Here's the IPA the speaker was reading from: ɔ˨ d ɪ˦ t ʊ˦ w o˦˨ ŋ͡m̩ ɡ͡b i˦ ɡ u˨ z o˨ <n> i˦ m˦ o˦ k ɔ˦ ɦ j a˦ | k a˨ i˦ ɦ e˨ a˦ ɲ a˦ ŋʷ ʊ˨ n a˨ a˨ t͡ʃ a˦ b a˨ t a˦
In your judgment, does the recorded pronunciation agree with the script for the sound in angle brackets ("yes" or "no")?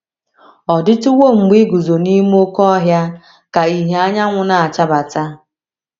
yes